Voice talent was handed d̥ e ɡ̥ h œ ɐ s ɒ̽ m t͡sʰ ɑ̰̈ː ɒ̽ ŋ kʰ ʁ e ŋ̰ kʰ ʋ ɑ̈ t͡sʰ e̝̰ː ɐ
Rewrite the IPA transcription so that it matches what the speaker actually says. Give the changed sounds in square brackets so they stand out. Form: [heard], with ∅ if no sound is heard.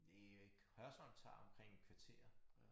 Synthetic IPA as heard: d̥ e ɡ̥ h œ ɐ s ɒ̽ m t͡sʰ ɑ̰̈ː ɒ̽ [m] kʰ ʁ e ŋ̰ kʰ ʋ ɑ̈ t͡sʰ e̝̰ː ɐ